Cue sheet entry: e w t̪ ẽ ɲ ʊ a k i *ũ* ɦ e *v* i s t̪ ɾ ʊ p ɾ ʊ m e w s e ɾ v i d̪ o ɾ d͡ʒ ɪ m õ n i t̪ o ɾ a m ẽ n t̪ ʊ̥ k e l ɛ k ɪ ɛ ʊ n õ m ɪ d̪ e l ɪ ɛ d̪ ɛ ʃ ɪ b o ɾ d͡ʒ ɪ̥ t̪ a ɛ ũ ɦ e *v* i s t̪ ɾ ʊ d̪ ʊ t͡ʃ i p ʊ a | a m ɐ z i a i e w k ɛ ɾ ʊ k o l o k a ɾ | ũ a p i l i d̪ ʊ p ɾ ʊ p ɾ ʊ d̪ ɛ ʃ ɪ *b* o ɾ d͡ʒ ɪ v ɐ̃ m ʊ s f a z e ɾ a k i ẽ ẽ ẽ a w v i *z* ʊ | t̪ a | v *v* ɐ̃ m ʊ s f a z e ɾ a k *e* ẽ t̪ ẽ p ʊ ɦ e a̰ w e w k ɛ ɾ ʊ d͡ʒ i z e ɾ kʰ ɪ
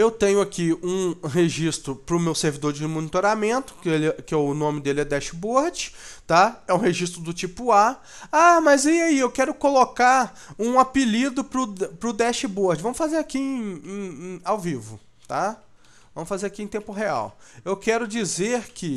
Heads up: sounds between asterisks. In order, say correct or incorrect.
correct, incorrect, incorrect, correct, incorrect, correct, incorrect

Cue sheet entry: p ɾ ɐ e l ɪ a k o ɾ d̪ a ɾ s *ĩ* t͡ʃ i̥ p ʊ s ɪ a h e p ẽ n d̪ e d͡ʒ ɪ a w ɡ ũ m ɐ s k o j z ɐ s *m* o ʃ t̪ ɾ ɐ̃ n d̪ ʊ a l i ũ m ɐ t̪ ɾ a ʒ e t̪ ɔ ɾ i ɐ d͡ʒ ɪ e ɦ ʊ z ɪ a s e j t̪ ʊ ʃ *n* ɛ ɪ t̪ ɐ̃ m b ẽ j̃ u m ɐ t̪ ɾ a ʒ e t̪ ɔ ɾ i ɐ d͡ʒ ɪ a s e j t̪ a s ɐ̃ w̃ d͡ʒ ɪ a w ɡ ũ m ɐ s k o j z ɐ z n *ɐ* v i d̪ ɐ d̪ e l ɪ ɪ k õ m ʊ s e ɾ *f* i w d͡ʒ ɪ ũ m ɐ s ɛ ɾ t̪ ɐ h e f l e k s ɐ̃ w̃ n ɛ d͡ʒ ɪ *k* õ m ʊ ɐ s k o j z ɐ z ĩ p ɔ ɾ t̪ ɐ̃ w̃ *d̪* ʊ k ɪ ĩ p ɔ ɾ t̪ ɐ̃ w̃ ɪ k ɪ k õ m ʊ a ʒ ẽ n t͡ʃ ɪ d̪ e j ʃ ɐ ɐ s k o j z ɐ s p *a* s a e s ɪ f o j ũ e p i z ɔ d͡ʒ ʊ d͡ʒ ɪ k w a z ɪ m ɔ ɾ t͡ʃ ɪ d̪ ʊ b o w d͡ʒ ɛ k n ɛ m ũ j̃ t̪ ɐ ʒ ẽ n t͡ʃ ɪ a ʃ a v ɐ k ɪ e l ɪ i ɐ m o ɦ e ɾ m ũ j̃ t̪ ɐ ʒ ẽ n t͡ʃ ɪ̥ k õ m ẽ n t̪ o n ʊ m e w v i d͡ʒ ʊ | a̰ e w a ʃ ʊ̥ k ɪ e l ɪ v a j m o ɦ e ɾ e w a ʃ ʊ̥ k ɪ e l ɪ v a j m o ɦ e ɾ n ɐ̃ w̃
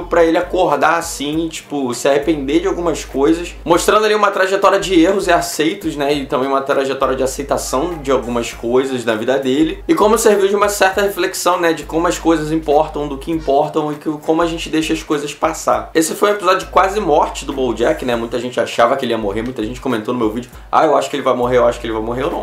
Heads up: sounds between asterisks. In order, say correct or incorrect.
correct, correct, correct, correct, incorrect, correct, correct, correct

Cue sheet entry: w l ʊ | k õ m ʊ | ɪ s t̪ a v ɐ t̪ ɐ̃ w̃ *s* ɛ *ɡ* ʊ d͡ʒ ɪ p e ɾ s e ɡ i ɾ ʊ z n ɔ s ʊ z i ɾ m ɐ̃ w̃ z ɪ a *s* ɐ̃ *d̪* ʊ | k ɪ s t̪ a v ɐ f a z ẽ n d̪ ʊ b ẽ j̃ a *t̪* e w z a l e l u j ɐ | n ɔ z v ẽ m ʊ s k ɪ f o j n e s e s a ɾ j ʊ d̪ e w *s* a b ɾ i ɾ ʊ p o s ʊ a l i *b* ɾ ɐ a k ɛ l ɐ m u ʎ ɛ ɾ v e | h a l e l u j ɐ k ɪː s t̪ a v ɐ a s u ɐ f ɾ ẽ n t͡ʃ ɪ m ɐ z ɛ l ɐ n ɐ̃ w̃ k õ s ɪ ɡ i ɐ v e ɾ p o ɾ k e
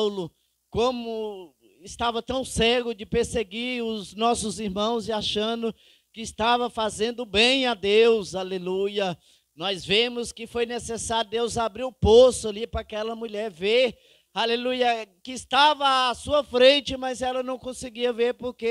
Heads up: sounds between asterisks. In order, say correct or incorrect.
correct, correct, incorrect, correct, incorrect, incorrect, incorrect

